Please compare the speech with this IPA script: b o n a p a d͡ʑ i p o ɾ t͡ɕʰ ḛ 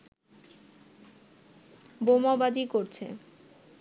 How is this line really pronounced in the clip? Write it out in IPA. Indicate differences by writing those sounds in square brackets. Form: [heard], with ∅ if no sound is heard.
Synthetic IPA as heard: b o [m] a [b] a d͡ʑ i [k] o ɾ t͡ɕʰ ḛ